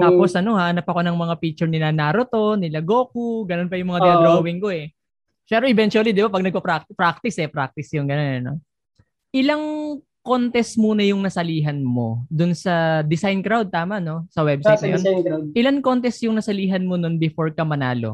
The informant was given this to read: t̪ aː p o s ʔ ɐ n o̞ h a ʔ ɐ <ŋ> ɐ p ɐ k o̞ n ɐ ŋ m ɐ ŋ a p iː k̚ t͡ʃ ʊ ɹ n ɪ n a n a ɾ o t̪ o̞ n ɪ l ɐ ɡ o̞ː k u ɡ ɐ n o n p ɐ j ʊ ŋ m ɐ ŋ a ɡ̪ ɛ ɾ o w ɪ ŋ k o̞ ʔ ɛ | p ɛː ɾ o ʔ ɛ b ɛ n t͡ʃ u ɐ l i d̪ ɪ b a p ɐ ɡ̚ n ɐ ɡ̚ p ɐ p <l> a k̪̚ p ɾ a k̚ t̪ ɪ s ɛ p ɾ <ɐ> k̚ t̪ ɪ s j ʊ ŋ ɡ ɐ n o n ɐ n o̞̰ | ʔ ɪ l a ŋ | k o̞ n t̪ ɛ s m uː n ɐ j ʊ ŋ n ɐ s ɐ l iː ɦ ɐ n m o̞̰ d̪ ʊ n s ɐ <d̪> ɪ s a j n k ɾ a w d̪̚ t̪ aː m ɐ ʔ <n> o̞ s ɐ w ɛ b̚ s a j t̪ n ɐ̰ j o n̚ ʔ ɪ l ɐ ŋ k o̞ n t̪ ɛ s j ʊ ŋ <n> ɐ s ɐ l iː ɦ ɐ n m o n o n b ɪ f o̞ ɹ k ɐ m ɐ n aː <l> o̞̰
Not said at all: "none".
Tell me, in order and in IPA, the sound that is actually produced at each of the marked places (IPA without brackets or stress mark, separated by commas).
n, ɾ, a, d̪, n, n, l